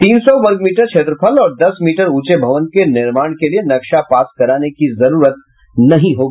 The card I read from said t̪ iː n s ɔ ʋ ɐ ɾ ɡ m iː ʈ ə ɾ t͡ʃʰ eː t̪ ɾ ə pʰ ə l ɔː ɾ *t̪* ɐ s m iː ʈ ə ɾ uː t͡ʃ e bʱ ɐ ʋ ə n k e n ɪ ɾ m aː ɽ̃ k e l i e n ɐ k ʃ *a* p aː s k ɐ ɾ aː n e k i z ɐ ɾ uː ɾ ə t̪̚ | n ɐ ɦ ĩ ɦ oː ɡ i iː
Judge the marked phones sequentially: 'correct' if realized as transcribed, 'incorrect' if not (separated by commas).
incorrect, correct